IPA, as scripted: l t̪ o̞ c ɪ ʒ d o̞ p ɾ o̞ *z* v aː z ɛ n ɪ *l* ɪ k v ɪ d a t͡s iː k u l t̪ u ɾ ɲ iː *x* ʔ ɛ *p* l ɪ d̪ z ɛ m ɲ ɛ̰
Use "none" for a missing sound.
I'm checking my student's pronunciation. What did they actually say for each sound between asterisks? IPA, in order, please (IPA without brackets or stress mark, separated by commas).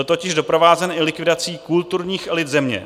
none, l, x, none